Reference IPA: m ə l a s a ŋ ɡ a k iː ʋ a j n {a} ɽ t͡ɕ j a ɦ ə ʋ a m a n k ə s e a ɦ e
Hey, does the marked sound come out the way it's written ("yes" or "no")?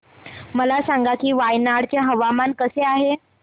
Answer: yes